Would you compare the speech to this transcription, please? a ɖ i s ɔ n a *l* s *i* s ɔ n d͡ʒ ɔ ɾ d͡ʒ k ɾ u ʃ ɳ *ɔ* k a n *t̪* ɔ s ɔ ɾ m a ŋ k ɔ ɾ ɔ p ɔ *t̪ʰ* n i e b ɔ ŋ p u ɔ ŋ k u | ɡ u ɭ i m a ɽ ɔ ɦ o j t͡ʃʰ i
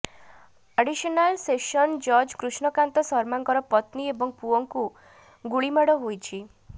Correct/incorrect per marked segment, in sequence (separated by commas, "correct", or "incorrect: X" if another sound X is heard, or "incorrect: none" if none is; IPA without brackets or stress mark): correct, incorrect: e, correct, correct, incorrect: t̪